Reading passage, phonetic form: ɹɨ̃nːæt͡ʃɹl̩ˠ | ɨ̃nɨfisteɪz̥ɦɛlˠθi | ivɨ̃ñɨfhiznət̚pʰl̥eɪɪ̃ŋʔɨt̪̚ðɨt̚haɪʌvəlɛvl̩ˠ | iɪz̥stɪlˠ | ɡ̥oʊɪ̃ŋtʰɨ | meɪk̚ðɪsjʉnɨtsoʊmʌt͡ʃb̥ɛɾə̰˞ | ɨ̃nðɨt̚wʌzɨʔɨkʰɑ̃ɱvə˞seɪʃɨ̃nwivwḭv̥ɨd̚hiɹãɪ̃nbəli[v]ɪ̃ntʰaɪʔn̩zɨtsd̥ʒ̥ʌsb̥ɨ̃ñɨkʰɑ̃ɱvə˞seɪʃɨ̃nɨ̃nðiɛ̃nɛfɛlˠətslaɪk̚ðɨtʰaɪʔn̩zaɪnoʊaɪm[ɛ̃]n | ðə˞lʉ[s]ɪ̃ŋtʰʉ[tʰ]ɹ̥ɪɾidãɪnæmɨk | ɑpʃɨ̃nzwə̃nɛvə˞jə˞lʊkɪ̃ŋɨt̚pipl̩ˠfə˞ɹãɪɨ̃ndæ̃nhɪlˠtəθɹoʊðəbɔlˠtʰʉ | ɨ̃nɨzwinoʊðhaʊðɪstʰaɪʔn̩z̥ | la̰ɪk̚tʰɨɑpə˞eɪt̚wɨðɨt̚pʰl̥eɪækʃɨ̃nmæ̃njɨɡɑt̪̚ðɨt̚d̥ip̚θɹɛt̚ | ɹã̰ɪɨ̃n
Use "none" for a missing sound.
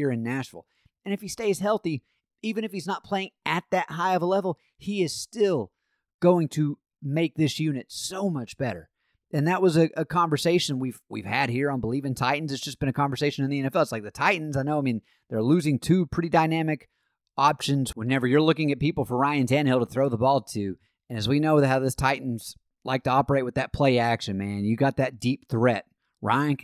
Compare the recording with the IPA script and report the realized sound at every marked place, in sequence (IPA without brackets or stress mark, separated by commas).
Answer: v, ĩ, z, pʰ